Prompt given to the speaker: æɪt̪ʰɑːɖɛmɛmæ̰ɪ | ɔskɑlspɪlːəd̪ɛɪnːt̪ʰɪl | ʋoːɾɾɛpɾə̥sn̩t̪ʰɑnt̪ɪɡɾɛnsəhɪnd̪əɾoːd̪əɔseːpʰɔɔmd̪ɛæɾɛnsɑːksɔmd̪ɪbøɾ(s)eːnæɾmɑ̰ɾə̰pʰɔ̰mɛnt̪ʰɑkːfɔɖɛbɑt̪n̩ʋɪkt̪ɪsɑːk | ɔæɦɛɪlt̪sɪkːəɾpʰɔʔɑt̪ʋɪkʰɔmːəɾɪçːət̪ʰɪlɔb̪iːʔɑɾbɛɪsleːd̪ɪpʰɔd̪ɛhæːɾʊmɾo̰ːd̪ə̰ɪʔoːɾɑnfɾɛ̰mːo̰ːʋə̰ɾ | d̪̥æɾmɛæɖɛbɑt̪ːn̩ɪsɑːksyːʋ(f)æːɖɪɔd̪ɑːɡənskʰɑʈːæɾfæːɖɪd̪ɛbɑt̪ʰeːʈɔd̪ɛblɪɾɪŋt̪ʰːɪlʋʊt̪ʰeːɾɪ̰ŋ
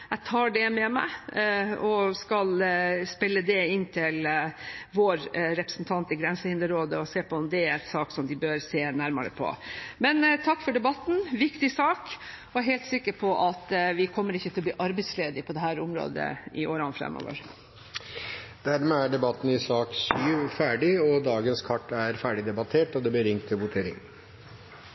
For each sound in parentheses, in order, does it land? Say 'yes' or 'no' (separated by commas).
yes, yes